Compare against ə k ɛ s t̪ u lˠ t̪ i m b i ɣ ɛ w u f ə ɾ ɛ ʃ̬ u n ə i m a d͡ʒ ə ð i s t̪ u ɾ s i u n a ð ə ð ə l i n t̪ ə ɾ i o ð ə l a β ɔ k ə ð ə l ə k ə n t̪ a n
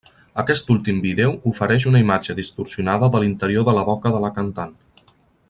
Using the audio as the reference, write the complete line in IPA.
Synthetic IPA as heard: ə k ɛ s t̪ u lˠ t̪ i m b i ð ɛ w u f ə ɾ ɛ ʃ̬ u n ə i m a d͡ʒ ə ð i s t̪ u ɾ s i u n a ð ə ð ə l i n t̪ ə ɾ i o ð ə l ə β ɔ k ə ð ə l ə k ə n t̪ a n